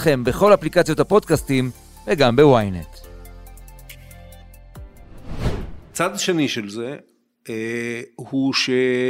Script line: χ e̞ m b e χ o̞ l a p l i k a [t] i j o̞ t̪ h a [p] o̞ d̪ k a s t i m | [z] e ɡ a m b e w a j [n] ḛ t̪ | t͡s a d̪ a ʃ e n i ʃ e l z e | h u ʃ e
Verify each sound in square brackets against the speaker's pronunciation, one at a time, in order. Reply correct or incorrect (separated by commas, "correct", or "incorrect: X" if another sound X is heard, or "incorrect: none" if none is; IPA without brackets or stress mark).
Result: incorrect: t͡s, correct, incorrect: v, correct